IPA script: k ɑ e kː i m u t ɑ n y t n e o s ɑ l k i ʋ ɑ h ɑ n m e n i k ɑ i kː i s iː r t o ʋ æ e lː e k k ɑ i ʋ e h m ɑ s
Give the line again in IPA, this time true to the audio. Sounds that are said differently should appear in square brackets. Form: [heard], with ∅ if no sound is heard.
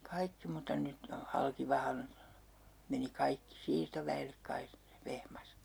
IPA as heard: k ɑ [i] kː i m u t ɑ n y t n e o [h] ɑ l k i ʋ ɑ h ɑ n m e n i k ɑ i kː i s iː r t o ʋ æ e lː e k k ɑ i ʋ e h m ɑ s